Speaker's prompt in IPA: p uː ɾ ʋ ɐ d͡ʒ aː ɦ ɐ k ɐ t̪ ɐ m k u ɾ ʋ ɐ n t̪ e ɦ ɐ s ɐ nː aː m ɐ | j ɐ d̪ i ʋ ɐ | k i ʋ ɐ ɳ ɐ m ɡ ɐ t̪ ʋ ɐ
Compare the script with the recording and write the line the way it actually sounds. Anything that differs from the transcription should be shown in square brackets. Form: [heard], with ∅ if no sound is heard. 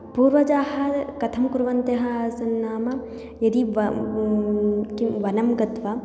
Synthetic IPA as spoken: p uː ɾ ʋ ɐ d͡ʒ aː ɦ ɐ k ɐ [t̪ʰ] ɐ m k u ɾ ʋ ɐ n t̪ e ɦ ɐ s ɐ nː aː m ɐ | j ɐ d̪ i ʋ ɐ | k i ʋ ɐ [n] ɐ m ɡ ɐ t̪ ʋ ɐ